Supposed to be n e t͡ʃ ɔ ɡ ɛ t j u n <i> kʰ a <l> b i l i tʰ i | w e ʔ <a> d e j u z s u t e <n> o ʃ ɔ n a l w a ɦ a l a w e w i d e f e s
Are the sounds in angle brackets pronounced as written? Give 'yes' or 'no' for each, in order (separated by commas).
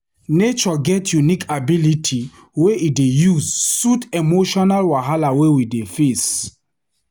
yes, no, no, no